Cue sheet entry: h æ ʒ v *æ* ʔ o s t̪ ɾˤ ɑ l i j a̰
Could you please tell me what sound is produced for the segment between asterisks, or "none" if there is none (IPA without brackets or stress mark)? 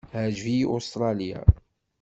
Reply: i